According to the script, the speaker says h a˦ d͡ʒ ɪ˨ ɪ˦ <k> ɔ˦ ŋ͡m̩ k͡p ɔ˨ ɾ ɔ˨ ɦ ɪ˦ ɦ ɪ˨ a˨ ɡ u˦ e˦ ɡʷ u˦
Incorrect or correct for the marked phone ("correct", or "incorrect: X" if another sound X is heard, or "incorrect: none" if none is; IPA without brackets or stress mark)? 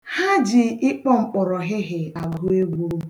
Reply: incorrect: k͡p